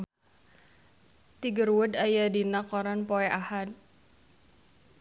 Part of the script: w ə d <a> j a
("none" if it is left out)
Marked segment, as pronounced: a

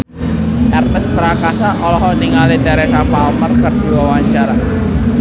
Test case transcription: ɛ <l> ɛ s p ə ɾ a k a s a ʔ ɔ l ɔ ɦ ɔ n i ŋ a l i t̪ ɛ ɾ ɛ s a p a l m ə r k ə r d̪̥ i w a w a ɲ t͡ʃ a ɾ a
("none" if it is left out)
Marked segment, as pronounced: r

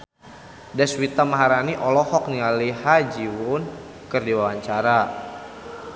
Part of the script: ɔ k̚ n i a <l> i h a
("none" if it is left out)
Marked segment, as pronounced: l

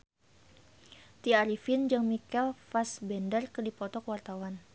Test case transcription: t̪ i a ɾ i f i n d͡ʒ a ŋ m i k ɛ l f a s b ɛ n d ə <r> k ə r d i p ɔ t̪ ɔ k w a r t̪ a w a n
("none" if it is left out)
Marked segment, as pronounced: r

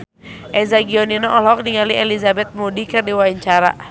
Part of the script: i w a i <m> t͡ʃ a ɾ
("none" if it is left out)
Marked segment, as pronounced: ɲ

